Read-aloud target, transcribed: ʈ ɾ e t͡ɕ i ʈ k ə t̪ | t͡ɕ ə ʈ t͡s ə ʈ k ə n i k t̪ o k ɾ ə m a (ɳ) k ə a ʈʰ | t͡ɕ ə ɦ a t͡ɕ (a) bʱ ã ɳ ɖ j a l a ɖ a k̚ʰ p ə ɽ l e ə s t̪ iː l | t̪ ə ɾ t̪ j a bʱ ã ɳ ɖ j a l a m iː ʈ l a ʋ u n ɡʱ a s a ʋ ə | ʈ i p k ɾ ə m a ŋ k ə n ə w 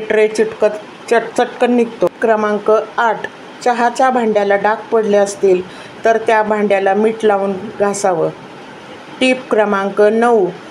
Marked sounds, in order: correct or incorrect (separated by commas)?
incorrect, correct